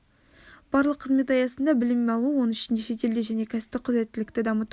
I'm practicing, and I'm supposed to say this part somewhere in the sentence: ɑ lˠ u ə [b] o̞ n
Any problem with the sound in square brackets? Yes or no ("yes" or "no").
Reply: yes